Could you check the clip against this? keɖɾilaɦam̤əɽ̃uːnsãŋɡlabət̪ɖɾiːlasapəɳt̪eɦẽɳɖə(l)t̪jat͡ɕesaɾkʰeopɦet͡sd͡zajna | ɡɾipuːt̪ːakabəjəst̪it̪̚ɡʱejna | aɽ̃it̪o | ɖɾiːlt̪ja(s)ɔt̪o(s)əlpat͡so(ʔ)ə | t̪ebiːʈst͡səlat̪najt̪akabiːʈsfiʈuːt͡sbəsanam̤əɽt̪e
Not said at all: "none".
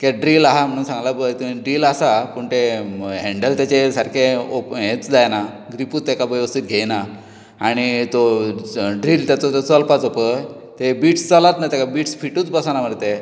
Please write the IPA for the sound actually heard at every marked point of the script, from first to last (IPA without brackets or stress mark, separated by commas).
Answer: l, t͡s, t͡s, p